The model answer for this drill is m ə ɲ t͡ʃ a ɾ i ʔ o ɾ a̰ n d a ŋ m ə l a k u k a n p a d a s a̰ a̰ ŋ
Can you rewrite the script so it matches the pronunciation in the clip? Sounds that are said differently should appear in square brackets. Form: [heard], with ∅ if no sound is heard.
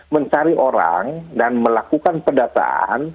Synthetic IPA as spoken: m ə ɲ t͡ʃ a ɾ i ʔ o ɾ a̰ [ŋ] d a [n] m ə l a k u k a n p [ə] d a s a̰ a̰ [n]